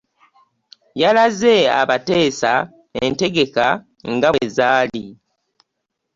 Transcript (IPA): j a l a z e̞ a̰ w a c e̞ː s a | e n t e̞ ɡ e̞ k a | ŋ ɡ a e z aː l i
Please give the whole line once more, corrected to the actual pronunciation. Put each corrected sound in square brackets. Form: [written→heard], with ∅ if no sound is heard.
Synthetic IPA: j a l a z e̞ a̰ [w→β] a [c→t] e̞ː s a | e n t e̞ ɡ e̞ k a | ŋ ɡ a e z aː l i